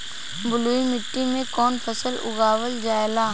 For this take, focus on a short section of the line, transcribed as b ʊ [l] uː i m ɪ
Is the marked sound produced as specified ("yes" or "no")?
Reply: yes